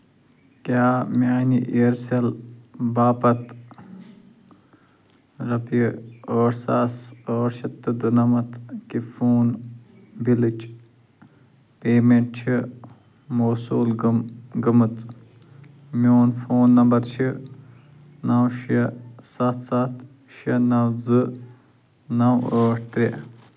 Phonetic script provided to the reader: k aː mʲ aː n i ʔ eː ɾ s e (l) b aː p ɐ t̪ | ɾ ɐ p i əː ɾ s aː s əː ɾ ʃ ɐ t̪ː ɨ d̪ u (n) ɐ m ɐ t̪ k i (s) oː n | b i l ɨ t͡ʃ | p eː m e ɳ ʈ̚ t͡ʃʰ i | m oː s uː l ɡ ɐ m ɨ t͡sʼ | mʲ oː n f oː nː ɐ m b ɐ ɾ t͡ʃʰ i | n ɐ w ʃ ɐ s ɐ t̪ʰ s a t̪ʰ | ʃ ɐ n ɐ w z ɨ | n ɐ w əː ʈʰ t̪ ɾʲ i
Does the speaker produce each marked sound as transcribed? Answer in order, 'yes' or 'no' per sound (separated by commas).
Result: yes, yes, no